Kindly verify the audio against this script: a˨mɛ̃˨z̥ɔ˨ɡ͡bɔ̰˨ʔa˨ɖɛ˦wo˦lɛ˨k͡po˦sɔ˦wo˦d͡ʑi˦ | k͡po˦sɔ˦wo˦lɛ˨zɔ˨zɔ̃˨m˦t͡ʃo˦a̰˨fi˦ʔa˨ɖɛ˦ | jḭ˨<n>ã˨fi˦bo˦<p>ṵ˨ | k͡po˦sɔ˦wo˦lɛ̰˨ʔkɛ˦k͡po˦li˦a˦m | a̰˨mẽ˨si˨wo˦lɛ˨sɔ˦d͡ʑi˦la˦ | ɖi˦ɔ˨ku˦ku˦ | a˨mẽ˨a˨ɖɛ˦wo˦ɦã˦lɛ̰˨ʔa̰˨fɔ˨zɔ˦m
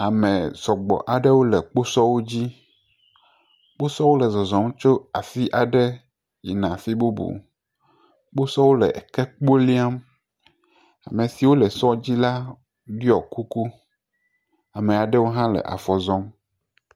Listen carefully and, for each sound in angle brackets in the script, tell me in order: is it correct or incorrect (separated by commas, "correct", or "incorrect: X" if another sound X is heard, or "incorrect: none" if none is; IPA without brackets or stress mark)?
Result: correct, incorrect: b